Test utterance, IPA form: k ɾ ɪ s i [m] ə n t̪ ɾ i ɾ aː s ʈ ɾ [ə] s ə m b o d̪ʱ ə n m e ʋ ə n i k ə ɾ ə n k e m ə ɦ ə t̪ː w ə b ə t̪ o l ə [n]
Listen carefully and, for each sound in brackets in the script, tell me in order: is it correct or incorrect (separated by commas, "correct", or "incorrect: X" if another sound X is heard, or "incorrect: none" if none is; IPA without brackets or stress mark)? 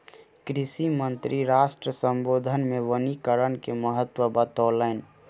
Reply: correct, correct, correct